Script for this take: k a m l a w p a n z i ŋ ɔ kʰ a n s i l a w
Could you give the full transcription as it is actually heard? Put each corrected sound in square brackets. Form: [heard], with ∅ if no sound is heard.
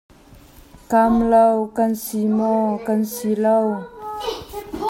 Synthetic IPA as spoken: k a m l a w [k] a n [s] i [m] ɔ [k] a n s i l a w